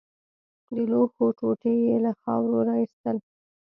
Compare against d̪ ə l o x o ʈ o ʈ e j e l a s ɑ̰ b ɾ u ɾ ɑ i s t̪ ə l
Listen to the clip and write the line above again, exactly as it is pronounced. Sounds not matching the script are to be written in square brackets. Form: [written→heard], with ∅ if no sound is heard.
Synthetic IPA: d̪ ə l o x o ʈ o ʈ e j e l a [s→x] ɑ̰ [b→w] ɾ [u→o] ɾ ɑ i s t̪ ə l